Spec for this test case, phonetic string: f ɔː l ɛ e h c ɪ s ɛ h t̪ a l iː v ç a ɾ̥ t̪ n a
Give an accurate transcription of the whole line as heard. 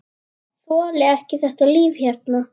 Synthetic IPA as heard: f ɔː l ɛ ɛ h c ɪ θ ɛ h t̪ a l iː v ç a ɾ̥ t̪ n a